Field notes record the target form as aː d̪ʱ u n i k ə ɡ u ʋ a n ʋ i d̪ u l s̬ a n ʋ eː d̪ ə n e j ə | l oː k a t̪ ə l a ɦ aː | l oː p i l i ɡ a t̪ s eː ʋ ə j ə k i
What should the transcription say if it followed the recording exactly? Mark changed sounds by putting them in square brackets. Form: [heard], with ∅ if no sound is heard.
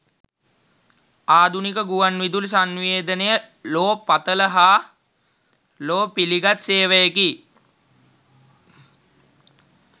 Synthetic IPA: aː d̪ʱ u n i k ə ɡ u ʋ a n ʋ i d̪ u l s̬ a n ʋ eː d̪ ə n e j ə | l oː [p] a t̪ ə l [ə] ɦ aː | l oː p i l i ɡ a t̪ s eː ʋ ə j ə k i